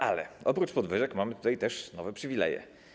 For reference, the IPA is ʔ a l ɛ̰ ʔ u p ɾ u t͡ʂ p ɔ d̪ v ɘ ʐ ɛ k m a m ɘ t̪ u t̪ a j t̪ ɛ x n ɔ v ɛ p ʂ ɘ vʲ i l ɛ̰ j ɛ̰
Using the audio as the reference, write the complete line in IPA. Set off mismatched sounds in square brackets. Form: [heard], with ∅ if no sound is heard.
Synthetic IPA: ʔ a l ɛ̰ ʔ [ɔ] p ɾ u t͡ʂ p ɔ d̪ v ɘ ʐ ɛ k m a m ɘ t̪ u t̪ a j t̪ ɛ [ʂ] n ɔ v ɛ p ʂ ɘ vʲ i l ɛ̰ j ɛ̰